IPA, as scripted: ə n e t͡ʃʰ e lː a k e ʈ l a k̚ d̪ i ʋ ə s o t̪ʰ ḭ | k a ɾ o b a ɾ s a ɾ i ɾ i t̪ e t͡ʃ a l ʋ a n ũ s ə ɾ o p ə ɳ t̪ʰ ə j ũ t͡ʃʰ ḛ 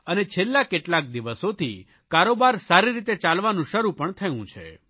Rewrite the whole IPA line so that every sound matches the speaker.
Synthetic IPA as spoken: ə n e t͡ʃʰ e lː a k e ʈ l a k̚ d̪ i ʋ ə s o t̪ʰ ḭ | k a ɾ o b a ɾ s a ɾ i ɾ i t̪ e t͡ʃ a l ʋ a n ũ ʃ ə ɾ u p ə ɳ t̪ʰ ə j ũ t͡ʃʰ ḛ